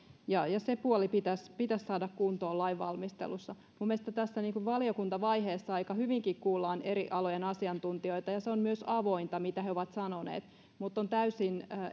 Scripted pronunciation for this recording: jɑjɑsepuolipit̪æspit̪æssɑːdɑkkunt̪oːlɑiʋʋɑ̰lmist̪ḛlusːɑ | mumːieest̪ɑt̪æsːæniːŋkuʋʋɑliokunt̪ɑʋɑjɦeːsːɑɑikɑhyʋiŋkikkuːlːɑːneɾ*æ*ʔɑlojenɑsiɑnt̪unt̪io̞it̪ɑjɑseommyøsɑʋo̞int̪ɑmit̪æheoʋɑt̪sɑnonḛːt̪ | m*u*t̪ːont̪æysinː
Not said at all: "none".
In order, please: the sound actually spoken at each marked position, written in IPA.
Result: i, u

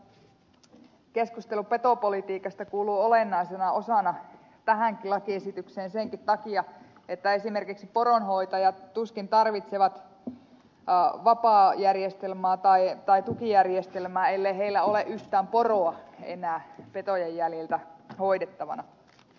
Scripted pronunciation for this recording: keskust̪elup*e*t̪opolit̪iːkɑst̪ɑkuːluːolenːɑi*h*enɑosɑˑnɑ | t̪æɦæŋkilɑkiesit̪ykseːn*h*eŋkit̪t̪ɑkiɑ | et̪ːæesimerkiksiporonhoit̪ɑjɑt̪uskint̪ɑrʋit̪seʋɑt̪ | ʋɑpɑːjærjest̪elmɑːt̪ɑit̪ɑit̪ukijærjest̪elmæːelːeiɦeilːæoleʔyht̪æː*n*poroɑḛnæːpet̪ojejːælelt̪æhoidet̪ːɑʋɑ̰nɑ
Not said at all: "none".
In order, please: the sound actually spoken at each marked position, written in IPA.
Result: e, s, s, m

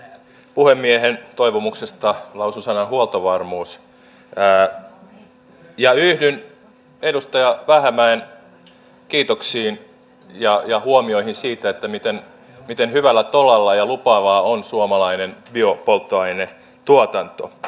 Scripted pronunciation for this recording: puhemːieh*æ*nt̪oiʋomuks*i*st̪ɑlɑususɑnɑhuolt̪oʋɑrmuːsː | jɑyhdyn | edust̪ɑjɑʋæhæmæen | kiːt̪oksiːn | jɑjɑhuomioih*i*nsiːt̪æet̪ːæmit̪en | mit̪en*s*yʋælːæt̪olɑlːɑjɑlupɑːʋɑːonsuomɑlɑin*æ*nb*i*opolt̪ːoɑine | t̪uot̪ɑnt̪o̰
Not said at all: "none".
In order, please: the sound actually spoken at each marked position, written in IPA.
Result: e, e, i, h, e, i

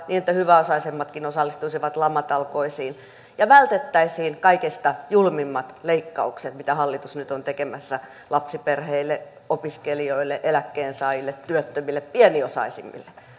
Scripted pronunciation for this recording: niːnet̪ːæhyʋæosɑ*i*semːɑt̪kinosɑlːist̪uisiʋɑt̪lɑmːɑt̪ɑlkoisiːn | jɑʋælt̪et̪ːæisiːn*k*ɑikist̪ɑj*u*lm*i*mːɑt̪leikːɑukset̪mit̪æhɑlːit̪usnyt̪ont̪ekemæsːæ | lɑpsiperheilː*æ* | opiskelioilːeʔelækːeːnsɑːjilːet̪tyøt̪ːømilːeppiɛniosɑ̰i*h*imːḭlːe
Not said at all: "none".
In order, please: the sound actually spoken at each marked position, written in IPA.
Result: i, k, u, i, e, s

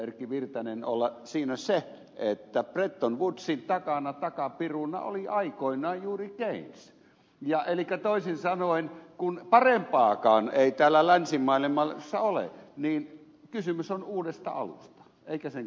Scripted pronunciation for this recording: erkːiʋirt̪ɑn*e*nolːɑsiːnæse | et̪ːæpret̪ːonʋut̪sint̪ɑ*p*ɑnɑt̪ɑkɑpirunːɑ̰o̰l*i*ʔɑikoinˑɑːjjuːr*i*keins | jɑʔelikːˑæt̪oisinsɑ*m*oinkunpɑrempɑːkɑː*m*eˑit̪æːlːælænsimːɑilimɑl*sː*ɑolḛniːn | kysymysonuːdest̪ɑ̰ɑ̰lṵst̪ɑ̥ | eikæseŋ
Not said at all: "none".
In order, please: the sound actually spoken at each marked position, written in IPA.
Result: e, k, i, i, n, n, sː

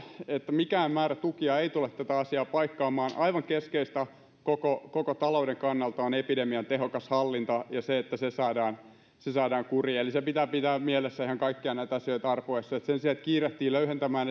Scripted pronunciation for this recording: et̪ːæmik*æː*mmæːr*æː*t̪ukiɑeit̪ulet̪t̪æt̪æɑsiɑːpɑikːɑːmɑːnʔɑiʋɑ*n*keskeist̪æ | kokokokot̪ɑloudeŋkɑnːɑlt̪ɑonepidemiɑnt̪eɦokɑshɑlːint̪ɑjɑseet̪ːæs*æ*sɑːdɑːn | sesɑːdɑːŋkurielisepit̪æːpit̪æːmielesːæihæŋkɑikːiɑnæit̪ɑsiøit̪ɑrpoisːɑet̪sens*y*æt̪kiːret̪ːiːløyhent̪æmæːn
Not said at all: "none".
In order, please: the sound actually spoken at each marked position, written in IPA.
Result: æː, æ, ŋ, e, i

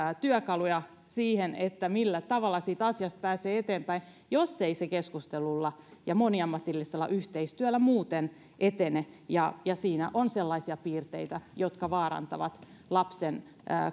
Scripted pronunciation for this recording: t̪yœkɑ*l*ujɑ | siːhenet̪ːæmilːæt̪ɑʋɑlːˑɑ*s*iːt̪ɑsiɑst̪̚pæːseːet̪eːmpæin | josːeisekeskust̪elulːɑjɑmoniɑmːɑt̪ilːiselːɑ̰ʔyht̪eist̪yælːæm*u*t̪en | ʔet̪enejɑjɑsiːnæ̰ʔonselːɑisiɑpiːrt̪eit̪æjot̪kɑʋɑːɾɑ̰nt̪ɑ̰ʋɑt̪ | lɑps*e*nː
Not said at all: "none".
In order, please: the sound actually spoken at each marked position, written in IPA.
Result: l, s, uː, e

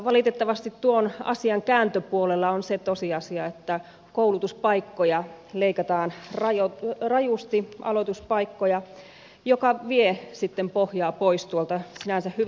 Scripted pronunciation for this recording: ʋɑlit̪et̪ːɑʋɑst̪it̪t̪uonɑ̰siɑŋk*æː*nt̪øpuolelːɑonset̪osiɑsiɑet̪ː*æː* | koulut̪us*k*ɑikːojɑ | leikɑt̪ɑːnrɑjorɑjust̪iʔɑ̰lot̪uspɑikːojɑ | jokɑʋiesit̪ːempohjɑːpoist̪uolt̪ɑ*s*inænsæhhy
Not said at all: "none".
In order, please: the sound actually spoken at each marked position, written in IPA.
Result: æː, æ, p, s

